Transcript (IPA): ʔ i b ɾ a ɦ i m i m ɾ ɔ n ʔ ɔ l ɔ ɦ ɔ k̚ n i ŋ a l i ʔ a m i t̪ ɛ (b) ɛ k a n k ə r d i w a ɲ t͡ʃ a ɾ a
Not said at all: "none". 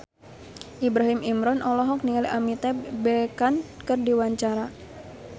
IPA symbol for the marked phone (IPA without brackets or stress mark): b